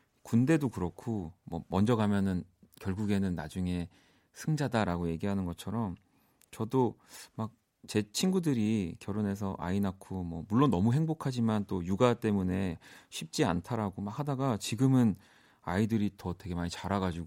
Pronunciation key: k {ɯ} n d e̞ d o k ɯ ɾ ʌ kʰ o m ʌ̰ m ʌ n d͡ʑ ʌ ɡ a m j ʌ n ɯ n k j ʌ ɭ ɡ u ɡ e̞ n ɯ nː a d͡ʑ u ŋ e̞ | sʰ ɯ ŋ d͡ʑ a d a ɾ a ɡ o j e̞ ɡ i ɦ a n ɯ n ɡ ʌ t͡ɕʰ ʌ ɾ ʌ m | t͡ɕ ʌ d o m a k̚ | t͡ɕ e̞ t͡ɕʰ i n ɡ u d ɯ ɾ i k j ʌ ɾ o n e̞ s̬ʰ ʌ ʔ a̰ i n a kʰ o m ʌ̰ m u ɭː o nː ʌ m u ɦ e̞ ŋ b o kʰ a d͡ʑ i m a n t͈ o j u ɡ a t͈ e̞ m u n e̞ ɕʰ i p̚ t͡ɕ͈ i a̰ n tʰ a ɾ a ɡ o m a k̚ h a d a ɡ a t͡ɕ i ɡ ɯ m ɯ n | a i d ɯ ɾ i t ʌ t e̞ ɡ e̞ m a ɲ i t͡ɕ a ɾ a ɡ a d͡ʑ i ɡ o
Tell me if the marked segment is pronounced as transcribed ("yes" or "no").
no